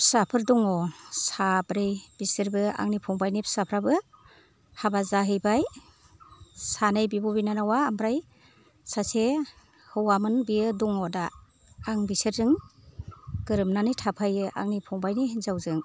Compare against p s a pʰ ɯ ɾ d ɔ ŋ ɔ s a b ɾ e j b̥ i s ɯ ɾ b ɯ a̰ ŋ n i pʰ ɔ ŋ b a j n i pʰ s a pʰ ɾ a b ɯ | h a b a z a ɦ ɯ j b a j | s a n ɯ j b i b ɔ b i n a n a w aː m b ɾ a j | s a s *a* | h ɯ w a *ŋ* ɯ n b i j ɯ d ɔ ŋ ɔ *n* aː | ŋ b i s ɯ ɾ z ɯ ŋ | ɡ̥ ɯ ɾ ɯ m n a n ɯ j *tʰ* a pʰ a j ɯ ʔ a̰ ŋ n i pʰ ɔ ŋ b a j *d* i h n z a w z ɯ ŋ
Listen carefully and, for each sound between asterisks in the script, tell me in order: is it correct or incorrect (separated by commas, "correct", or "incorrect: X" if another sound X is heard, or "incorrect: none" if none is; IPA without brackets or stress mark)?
incorrect: e, incorrect: m, incorrect: d, correct, incorrect: n